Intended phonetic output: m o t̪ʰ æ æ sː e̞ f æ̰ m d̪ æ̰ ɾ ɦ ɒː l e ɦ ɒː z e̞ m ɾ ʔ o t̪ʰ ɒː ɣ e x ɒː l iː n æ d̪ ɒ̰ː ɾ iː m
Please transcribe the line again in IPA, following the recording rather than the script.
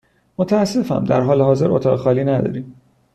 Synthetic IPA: m o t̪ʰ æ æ sː e̞ f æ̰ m d̪ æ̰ ɾ ɦ ɒː l e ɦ ɒː z e̞ ɾ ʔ o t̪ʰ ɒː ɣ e x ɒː l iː n æ d̪ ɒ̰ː ɾ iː m